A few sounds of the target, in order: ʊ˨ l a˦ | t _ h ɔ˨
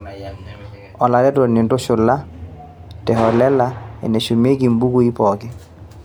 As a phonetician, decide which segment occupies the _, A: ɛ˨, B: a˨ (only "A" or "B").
A